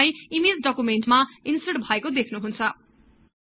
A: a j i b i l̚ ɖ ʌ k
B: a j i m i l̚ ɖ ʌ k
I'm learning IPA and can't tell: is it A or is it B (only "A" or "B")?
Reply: B